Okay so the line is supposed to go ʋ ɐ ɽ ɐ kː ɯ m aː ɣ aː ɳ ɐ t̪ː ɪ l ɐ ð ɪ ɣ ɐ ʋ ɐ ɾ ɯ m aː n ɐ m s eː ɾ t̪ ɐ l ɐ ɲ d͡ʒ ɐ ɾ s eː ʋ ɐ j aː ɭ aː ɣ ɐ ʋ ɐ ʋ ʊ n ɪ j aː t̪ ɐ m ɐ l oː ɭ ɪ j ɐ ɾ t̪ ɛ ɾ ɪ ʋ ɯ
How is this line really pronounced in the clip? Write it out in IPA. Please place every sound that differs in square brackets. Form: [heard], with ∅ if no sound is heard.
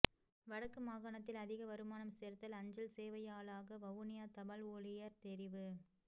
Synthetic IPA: ʋ ɐ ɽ ɐ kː ɯ m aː ɣ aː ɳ ɐ t̪ː ɪ l ɐ ð ɪ ɣ ɐ ʋ ɐ ɾ ɯ m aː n ɐ m s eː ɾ t̪ ɐ l ɐ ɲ d͡ʒ ɐ [l] s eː ʋ ɐ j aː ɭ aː ɣ ɐ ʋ ɐ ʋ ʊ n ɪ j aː t̪ ɐ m ɐ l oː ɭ ɪ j ɐ ɾ t̪ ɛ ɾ ɪ ʋ ɯ